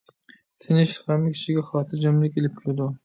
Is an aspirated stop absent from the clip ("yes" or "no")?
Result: no